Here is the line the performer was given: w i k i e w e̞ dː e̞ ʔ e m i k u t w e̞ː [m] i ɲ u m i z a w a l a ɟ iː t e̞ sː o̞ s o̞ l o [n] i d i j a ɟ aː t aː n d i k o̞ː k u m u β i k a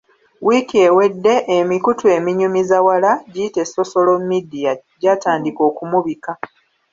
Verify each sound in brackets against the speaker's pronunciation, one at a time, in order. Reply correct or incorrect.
correct, incorrect: m

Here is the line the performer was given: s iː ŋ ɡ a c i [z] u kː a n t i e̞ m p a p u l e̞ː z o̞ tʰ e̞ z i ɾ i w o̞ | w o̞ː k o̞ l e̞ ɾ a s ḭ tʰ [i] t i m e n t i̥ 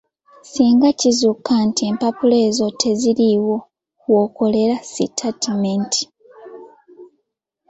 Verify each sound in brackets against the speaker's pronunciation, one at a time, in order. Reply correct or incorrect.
correct, incorrect: a

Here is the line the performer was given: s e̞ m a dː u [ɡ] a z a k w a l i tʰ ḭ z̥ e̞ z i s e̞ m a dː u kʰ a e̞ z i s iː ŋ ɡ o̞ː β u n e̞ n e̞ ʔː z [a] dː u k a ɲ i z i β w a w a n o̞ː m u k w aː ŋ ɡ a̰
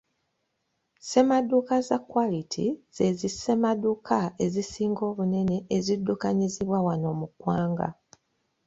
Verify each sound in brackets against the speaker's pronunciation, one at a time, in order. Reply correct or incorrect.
incorrect: k, incorrect: i

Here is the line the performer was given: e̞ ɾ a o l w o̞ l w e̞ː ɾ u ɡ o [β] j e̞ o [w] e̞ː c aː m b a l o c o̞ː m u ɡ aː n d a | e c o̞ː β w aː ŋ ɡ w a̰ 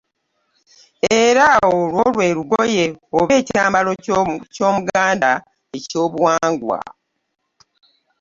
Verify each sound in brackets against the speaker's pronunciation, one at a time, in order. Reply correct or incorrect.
incorrect: none, incorrect: β

